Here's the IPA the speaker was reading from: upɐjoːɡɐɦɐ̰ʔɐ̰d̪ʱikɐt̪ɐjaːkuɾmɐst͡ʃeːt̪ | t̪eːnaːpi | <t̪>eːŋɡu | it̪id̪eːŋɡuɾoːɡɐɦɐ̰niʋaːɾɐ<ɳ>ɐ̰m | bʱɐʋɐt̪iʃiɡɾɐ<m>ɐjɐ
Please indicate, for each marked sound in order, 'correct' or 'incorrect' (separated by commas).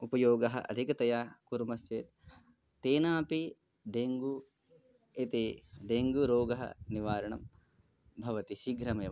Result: incorrect, correct, correct